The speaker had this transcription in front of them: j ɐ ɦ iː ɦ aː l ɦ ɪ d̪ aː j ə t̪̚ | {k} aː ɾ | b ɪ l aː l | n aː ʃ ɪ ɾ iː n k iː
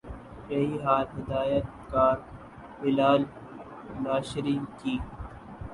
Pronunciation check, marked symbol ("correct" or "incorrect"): correct